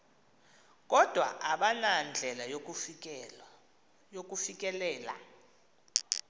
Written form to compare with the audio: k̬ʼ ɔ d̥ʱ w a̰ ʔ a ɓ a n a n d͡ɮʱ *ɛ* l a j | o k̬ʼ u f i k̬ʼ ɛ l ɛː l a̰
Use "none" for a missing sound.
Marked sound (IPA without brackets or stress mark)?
ɛ